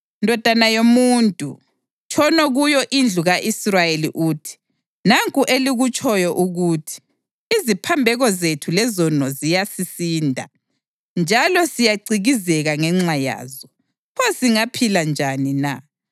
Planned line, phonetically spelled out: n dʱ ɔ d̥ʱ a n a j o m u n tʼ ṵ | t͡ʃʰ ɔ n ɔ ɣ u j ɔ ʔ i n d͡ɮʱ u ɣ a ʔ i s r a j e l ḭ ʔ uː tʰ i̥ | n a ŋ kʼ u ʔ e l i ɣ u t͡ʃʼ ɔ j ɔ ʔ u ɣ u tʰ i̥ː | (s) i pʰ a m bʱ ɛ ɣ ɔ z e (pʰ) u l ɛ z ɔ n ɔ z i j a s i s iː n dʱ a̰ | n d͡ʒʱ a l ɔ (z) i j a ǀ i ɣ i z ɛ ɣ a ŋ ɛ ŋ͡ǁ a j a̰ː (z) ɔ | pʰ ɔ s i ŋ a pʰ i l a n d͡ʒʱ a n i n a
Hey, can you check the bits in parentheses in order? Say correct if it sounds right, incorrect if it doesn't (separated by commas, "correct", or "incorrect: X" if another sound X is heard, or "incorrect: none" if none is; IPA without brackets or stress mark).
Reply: incorrect: z, incorrect: tʰ, incorrect: s, correct